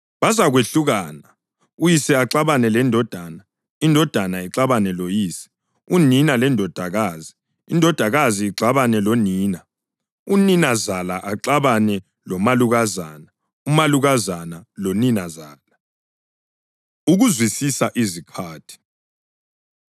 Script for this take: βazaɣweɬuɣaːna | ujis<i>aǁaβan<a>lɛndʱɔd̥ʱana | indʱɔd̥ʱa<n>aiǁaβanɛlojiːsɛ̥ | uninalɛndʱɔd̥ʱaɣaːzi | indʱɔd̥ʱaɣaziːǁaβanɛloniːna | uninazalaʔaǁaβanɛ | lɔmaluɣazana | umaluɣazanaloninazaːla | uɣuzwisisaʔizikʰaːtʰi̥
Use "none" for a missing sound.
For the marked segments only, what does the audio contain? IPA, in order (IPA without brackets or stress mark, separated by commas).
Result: ɛ, ɛ, n